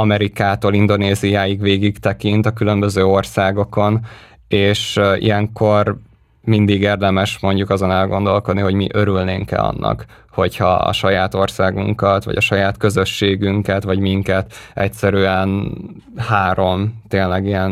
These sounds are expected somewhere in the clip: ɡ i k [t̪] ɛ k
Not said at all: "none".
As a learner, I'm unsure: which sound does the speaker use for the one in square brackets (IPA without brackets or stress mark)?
t̪